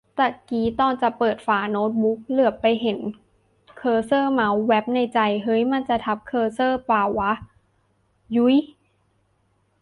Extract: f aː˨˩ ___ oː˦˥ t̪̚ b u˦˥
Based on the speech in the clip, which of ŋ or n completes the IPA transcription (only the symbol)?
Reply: n